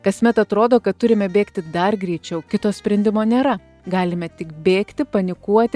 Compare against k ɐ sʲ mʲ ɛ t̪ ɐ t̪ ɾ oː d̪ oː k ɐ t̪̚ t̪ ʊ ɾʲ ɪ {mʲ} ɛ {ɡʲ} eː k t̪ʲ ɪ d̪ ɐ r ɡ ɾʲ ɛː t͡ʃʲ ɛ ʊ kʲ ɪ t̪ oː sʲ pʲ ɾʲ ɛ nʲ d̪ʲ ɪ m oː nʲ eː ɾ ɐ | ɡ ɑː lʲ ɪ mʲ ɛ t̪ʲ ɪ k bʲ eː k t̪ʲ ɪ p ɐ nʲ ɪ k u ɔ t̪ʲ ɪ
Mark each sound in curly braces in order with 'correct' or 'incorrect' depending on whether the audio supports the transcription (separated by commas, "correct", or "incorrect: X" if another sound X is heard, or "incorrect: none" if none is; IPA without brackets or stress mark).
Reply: correct, incorrect: bʲ